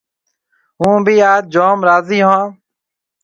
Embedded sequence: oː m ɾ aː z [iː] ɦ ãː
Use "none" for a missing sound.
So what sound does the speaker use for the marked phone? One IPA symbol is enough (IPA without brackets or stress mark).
iː